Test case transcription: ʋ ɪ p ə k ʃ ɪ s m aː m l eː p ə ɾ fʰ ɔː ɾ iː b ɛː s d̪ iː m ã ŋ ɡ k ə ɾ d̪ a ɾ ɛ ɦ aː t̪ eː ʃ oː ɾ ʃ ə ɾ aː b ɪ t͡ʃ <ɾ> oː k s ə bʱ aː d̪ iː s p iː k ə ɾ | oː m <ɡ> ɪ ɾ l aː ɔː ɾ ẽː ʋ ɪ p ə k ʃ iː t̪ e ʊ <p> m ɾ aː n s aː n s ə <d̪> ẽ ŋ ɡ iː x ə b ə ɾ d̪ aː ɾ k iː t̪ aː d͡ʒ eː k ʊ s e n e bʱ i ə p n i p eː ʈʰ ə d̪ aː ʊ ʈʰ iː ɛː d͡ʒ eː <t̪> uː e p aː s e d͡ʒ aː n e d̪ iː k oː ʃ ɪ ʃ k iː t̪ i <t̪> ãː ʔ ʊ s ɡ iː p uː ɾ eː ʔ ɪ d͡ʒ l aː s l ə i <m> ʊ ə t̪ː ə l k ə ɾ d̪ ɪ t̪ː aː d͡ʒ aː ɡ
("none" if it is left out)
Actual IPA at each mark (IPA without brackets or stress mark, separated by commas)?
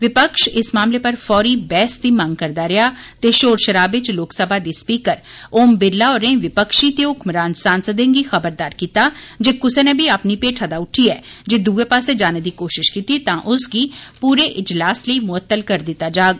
l, b, k, d̪, d̪, t̪, m